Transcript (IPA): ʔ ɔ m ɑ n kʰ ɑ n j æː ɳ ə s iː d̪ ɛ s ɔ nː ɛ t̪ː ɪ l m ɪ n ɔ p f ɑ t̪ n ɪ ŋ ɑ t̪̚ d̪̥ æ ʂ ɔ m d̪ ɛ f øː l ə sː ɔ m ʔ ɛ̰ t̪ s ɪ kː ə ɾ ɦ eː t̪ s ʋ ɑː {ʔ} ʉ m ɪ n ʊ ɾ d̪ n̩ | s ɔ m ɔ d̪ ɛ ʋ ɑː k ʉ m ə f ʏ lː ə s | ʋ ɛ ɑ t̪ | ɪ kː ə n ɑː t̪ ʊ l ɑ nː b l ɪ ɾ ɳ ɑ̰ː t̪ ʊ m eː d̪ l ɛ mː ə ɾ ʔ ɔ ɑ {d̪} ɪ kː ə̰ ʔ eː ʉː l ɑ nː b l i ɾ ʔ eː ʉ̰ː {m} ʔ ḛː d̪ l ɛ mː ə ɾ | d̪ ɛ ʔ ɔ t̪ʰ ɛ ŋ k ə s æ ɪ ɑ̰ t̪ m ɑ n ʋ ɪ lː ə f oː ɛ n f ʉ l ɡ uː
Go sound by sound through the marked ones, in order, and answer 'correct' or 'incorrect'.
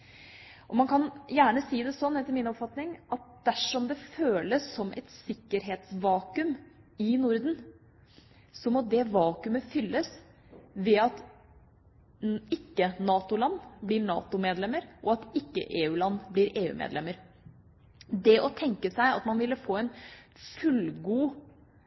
incorrect, incorrect, correct

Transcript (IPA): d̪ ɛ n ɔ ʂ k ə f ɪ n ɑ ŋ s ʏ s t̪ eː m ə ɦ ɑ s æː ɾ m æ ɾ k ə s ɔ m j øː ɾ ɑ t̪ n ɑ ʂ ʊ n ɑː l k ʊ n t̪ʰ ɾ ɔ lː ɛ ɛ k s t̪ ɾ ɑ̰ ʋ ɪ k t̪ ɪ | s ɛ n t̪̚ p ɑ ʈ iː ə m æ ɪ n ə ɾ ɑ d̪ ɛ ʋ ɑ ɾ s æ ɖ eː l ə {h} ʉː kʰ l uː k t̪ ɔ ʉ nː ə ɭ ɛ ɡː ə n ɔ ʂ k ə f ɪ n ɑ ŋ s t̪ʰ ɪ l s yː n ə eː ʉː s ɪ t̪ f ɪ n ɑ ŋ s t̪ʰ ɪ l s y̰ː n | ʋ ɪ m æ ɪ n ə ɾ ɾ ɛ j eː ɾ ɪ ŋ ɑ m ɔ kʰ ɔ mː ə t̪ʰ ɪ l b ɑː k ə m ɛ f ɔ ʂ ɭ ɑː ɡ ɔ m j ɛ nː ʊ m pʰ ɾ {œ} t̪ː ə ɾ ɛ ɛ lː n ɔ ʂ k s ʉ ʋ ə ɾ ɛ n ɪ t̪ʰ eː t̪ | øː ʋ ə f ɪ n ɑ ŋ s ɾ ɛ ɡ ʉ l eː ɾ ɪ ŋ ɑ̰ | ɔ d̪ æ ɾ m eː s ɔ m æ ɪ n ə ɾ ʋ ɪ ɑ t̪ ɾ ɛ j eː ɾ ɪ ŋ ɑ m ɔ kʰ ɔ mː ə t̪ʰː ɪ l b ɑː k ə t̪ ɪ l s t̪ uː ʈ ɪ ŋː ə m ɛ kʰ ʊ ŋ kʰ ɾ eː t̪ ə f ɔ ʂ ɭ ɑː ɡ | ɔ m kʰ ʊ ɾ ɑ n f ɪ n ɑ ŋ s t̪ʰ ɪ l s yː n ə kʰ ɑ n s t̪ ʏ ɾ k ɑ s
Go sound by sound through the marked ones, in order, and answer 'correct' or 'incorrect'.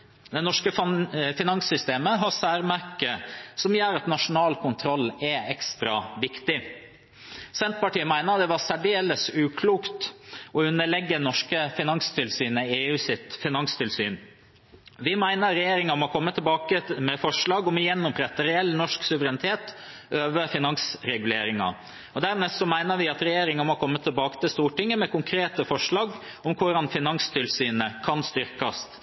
incorrect, incorrect

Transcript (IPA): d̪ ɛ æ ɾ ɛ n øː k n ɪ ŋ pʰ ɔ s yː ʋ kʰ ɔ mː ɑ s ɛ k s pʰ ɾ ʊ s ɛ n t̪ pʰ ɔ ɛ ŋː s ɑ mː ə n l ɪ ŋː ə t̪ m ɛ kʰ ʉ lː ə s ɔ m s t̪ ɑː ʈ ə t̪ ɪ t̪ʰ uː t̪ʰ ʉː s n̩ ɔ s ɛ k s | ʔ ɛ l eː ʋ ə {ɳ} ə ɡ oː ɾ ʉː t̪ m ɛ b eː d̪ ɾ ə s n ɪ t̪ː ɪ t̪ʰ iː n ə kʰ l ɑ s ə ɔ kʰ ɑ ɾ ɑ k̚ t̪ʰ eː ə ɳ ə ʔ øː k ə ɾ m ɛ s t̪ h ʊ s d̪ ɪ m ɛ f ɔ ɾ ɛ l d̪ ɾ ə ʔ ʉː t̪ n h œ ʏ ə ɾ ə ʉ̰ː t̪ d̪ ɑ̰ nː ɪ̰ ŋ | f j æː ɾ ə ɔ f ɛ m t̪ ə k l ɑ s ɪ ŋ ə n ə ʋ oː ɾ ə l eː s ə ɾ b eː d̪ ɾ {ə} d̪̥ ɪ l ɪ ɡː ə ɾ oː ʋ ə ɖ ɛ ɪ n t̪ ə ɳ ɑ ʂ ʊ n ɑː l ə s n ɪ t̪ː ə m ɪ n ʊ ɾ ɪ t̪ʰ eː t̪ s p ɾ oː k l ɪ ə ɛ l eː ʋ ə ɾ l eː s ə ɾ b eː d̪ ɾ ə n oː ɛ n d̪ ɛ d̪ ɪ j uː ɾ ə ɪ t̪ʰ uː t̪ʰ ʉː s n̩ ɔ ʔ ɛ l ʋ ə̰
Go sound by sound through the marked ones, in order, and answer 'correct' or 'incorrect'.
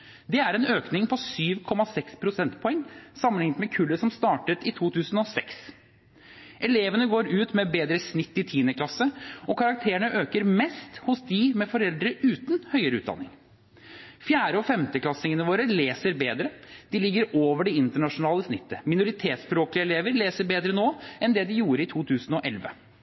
incorrect, correct

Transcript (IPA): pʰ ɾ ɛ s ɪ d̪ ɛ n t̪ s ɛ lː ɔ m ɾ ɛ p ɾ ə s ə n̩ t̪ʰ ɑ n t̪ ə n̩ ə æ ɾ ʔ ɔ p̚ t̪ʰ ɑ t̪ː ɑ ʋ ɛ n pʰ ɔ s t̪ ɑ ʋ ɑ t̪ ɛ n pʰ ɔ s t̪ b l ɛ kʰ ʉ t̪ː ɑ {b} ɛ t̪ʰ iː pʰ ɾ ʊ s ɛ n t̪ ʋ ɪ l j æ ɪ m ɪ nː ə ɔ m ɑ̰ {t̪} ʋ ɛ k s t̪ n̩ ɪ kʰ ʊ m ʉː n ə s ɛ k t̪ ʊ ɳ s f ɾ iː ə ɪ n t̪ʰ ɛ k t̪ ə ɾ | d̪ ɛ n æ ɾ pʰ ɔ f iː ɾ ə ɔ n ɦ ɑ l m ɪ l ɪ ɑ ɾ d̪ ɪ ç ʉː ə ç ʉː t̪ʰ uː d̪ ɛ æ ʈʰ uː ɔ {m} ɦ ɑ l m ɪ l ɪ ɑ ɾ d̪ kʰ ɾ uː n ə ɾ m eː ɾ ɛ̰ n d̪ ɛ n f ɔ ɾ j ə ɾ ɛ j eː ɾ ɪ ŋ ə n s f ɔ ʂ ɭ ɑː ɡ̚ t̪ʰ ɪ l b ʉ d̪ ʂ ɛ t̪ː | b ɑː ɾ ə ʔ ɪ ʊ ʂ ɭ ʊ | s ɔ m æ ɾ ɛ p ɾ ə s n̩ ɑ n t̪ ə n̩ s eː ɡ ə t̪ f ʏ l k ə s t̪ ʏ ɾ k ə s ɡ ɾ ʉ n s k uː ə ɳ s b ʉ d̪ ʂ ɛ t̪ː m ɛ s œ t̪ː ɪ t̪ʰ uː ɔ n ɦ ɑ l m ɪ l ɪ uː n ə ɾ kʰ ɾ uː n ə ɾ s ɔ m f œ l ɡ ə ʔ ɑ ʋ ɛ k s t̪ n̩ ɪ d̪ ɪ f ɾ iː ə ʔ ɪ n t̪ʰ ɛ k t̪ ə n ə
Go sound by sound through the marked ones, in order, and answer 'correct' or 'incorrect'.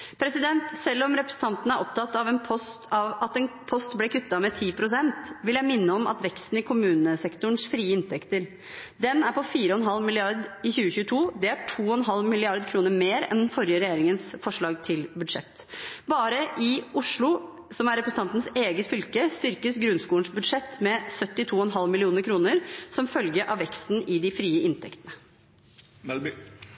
incorrect, correct, incorrect

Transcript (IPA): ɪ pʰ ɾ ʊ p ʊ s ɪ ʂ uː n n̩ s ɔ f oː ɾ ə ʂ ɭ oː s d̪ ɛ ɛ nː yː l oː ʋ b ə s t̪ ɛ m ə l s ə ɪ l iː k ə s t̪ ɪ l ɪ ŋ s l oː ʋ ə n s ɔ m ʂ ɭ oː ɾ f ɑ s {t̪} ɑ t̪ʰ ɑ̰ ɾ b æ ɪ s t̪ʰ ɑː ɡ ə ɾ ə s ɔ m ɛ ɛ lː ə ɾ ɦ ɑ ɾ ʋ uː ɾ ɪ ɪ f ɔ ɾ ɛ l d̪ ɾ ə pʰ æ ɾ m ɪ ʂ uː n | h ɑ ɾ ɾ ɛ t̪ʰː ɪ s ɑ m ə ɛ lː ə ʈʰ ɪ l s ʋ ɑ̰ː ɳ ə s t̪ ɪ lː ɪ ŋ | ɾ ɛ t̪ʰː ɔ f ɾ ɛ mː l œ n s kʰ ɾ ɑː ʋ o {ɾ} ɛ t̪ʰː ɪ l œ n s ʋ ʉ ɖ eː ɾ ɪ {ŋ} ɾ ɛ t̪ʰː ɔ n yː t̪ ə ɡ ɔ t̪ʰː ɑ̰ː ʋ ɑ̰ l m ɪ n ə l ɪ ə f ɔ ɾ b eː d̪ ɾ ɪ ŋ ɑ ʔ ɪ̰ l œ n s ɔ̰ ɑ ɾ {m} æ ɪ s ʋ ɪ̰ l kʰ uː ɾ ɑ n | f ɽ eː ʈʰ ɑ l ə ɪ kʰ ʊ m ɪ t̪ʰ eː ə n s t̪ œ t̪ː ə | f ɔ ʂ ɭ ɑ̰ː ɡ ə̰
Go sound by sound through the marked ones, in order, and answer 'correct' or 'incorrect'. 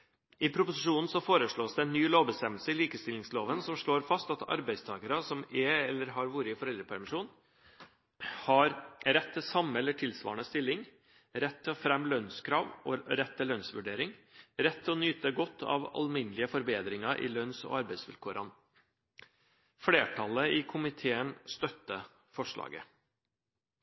correct, correct, correct, incorrect

